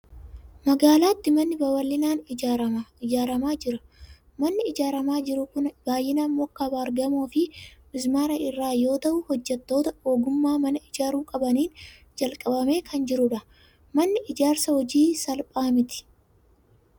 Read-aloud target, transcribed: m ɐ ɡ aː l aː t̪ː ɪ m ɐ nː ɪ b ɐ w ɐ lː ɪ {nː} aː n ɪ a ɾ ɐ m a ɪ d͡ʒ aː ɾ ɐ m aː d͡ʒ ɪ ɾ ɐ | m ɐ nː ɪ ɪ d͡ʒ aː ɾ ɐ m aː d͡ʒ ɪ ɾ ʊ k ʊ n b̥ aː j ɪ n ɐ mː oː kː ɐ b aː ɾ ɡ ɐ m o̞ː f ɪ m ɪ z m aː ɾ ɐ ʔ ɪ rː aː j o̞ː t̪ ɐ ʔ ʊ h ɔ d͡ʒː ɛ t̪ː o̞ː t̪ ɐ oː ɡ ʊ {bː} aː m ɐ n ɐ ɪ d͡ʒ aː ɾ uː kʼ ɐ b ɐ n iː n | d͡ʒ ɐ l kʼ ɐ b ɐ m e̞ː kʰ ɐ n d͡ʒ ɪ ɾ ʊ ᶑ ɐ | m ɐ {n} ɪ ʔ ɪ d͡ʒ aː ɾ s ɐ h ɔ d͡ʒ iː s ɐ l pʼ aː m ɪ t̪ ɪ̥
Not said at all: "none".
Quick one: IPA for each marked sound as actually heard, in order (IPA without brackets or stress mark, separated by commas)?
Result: n, mː, nː